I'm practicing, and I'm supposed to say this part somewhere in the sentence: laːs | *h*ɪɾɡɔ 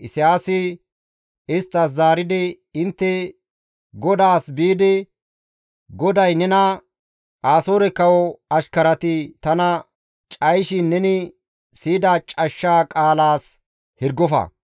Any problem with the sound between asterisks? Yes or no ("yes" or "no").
no